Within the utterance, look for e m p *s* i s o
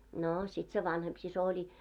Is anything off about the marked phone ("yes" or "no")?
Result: no